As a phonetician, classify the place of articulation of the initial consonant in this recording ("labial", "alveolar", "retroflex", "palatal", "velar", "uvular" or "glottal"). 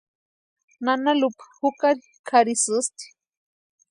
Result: alveolar